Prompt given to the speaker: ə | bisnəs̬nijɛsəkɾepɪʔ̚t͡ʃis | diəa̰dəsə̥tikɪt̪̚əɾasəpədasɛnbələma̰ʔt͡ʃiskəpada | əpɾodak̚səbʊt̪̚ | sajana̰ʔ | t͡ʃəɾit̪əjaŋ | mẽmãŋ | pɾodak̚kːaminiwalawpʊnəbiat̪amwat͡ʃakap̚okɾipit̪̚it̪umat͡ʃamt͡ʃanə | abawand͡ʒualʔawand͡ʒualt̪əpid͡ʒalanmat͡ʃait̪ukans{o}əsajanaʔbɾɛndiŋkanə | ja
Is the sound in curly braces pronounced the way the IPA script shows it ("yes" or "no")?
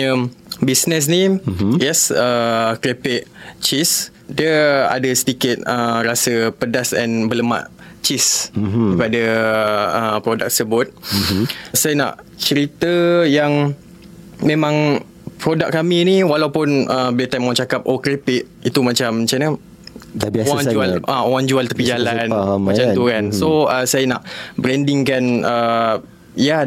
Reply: yes